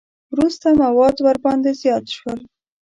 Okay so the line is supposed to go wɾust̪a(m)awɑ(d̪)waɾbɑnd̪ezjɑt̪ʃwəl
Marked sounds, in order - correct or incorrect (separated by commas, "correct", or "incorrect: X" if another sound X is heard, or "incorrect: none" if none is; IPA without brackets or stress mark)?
correct, correct